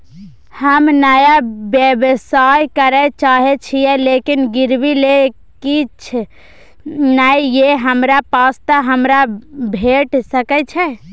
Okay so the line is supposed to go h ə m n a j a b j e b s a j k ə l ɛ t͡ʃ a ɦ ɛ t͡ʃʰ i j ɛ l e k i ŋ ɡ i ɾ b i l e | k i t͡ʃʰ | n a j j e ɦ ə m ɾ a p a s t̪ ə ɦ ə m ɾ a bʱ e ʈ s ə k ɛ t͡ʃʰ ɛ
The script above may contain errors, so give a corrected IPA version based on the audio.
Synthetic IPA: h ə m n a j a b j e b s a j k ə ɾ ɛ t͡ʃ a ɦ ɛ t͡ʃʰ i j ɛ l e k i n ɡ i ɾ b i l e | k i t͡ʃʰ | n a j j e ɦ ə m ɾ a p a s t̪ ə ɦ ə m ɾ a bʱ e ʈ s ə k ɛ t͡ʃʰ ɛ